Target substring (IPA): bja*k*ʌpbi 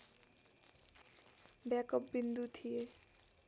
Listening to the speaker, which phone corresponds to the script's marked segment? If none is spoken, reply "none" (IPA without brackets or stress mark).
k